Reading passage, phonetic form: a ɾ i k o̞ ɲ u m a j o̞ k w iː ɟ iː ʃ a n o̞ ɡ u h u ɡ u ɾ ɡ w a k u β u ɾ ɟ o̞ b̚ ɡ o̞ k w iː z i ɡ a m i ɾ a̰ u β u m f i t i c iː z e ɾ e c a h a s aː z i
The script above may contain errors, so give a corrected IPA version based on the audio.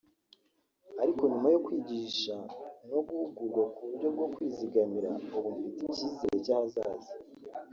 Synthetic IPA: a ɾ i k o̞ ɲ u m a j o̞ k w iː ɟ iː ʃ a n o̞ ɡ u h u ɡ u ɾ ɡ w a k u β u ɾ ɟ o̞ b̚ ɡ o̞ k w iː z i ɡ a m i ɾ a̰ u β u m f i t i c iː z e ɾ e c a h a z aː z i